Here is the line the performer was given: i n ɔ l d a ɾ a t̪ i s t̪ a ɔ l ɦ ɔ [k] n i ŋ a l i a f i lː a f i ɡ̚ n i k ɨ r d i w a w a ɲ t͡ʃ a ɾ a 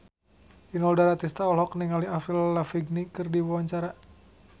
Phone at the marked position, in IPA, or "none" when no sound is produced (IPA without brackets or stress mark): k